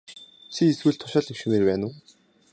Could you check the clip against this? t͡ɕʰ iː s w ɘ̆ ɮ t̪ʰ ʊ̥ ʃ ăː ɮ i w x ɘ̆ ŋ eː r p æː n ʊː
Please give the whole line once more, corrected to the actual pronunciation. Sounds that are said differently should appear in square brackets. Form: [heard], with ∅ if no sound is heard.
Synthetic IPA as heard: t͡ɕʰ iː s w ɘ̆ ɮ t̪ʰ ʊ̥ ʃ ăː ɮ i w [ʃ] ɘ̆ [m] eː r p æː n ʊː